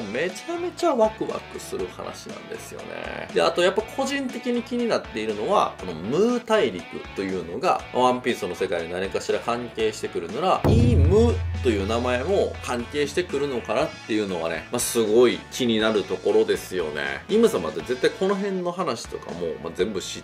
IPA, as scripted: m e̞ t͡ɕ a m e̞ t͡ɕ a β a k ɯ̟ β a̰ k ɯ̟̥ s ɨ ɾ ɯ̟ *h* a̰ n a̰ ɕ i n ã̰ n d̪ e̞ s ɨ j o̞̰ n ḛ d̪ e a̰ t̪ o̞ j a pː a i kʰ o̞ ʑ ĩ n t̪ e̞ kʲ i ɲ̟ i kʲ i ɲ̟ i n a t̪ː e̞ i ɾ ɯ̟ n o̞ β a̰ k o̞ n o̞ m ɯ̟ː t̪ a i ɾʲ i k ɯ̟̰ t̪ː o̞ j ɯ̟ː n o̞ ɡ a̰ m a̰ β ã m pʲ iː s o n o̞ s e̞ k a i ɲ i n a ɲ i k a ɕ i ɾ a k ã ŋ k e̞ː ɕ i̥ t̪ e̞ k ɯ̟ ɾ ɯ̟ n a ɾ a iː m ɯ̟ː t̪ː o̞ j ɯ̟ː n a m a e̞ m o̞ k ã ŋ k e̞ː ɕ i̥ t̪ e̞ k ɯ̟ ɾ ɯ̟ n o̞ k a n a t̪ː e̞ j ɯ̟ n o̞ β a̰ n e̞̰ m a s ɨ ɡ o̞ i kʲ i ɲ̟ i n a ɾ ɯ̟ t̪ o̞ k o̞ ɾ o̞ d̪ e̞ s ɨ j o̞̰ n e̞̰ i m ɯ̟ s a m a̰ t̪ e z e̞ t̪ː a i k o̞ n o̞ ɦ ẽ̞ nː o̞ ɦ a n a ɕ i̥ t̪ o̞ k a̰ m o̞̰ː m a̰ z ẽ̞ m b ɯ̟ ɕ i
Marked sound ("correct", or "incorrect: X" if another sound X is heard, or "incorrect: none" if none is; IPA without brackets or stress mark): correct